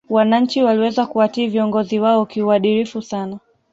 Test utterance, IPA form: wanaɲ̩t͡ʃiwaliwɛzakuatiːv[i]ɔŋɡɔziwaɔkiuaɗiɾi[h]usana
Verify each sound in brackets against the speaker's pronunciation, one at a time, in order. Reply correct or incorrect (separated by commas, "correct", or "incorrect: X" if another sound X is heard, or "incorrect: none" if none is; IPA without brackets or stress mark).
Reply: correct, incorrect: f